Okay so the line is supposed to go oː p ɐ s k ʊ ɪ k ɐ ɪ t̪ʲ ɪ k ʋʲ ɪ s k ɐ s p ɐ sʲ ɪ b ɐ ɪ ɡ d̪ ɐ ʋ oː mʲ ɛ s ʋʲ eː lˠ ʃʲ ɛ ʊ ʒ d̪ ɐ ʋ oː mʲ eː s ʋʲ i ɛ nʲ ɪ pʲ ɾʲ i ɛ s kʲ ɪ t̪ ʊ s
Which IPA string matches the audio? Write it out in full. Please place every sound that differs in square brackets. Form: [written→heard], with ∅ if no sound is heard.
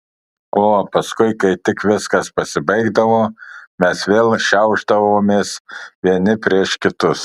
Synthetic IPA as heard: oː p ɐ s k ʊ ɪ k ɐ ɪ t̪ʲ ɪ k ʋʲ ɪ s k ɐ s p ɐ sʲ ɪ b ɐ ɪ ɡ d̪ ɐ ʋ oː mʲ ɛ s ʋʲ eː lˠ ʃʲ ɛ ʊ ʒ d̪ ɐ ʋ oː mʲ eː s ʋʲ i ɛ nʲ ɪ pʲ ɾʲ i ɛ [s→ʃ] kʲ ɪ t̪ ʊ s